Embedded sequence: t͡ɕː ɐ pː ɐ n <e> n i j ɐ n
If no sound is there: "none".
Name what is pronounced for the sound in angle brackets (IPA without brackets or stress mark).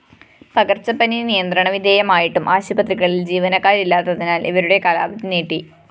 i